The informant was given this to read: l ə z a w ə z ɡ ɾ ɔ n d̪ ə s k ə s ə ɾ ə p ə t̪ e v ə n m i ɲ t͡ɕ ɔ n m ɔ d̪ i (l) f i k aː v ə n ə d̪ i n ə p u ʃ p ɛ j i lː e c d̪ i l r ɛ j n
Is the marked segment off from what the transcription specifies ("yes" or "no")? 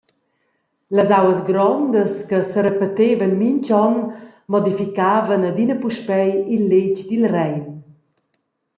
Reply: yes